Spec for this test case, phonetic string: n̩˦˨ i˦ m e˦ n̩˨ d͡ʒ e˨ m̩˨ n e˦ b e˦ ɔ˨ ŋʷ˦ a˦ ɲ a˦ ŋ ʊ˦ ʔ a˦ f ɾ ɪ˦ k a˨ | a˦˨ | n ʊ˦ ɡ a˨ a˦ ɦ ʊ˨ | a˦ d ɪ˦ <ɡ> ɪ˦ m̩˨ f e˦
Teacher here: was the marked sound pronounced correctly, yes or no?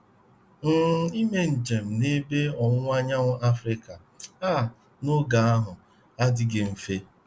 yes